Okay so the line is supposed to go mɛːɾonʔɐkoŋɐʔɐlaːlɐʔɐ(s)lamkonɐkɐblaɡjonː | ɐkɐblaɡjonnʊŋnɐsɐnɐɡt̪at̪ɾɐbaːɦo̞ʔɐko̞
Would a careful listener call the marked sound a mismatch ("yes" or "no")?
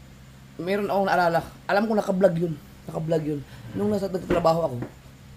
yes